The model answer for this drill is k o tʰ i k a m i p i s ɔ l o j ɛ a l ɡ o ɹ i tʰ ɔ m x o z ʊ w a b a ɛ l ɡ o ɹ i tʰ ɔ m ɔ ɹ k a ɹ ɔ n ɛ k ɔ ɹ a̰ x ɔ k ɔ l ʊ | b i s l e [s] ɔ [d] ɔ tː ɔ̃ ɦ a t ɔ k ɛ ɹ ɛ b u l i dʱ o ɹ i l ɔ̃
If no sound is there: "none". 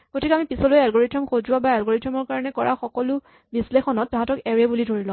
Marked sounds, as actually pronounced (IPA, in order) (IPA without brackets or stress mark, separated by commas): x, n